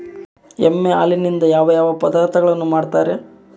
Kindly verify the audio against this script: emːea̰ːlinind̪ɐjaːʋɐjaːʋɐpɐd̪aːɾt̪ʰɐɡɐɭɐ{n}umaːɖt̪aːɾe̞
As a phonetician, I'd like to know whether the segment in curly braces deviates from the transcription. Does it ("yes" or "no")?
yes